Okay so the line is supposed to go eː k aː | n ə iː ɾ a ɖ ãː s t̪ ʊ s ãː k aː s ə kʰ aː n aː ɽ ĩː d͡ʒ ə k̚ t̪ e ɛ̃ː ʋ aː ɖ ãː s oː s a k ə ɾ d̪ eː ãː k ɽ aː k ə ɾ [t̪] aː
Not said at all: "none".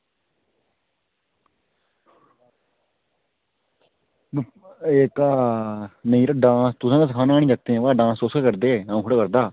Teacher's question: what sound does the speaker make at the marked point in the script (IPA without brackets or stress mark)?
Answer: d̪